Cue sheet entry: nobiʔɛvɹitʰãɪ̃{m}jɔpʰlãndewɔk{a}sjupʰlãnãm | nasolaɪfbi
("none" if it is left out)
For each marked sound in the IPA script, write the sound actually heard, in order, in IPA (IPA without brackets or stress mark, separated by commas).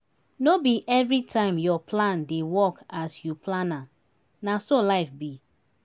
m, a